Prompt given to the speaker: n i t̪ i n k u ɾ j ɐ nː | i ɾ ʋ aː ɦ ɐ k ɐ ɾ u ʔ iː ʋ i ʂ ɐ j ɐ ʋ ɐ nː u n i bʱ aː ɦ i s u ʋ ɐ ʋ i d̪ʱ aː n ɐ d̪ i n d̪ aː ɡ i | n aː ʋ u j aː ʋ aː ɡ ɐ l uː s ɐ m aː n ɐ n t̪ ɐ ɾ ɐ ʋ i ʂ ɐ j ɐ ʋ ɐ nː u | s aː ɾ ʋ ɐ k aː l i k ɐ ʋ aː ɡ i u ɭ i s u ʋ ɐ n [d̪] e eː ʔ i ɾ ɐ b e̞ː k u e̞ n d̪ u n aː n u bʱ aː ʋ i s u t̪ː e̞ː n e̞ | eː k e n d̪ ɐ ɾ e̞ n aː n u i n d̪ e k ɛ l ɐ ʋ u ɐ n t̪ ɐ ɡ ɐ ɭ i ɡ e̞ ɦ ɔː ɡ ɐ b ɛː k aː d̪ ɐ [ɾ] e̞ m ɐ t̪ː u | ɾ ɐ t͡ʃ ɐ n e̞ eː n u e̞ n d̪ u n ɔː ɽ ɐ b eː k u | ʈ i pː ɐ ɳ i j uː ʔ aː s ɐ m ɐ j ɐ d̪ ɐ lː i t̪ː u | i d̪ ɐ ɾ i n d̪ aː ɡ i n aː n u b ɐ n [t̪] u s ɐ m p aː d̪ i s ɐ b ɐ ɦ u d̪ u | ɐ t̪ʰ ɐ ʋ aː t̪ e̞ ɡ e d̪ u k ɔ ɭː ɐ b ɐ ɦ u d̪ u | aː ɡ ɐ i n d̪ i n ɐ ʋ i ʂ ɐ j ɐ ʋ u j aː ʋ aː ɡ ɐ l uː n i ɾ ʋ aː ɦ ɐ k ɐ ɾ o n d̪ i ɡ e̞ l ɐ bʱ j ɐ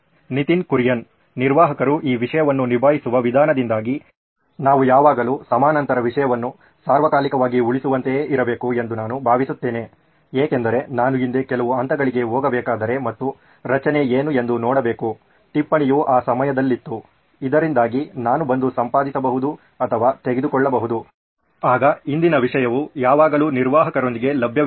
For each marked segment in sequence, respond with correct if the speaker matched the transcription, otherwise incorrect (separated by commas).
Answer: incorrect, correct, incorrect